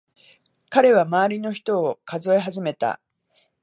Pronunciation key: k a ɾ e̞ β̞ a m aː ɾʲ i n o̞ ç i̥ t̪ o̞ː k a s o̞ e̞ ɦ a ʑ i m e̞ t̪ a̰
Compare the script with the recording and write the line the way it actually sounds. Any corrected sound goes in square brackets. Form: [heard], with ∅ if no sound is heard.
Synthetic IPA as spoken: k a ɾ e̞ β̞ a m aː ɾʲ i n o̞ ç i̥ t̪ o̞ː k a [z] o̞ e̞ ɦ a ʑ i m e̞ t̪ a̰